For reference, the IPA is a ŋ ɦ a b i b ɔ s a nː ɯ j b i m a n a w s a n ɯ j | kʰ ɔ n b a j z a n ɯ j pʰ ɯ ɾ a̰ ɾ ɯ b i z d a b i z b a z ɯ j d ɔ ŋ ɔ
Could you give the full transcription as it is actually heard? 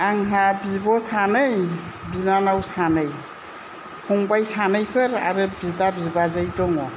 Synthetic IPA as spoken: a ŋ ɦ a b i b ɔ s a n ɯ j b i n a n a w s a n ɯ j | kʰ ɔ ŋ b a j s a n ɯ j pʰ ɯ ɾ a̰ ɾ ɯ b i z d a b i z b a z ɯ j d ɔ ŋ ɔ

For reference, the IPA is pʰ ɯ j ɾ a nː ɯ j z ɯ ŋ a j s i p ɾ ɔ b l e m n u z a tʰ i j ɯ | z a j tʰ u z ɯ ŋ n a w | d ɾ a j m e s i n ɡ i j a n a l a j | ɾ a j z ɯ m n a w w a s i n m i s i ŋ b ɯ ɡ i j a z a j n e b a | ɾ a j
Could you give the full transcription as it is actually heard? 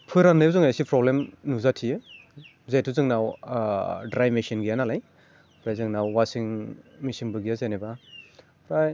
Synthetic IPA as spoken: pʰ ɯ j ɾ a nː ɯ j z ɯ ŋ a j s i p ɾ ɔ b l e m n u z a tʰ i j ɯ | z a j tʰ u z ɯ ŋ n a w | d ɾ a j m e s i n ɡ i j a n a l a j | ɾ a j z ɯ ŋ n a w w a s i ŋ m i s i ŋ b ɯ ɡ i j a z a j n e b a | ɾ a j

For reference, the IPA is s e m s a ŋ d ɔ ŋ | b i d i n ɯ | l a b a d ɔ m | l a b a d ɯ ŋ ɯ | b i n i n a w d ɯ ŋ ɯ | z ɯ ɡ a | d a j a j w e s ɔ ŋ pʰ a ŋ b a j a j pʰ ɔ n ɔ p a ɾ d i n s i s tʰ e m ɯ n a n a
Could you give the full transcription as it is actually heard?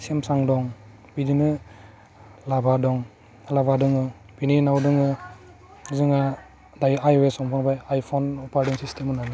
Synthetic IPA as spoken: s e m s a ŋ d ɔ ŋ | b i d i n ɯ | l a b a d ɔ ŋ | l a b a d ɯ ŋ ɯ | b i n i n a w d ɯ ŋ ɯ | z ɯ ŋ a | d a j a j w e s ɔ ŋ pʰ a ŋ b a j a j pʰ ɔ n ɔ p a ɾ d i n s i s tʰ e m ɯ n a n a

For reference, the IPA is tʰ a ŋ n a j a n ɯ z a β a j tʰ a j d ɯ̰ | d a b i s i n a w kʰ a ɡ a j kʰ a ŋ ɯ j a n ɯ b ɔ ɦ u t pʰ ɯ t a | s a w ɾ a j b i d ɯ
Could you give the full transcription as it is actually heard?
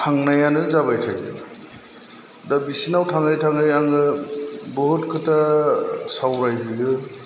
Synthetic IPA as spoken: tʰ a ŋ n a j a n ɯ z a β a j tʰ a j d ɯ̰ | d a b i s i n a w tʰ a ŋ a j tʰ a ŋ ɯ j a ŋ ɯ b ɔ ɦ u t kʰ ɯ t a | s a w ɾ a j b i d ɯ

